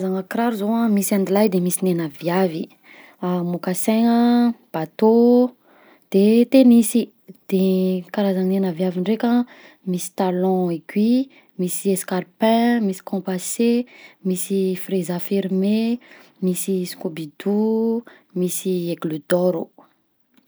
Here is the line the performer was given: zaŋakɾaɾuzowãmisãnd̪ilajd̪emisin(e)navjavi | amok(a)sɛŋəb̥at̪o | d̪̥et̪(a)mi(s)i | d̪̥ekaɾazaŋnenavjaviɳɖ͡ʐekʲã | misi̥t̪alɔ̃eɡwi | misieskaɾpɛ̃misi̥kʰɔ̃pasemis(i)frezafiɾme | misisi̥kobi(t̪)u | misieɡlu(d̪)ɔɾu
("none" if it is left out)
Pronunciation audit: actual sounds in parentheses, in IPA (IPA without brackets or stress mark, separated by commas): e, a, e, s, i, d̪, d̪